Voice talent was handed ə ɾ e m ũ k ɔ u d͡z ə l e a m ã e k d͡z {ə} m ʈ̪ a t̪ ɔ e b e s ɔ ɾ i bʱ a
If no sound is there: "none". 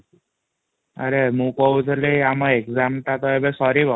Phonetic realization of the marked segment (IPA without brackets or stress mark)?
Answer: a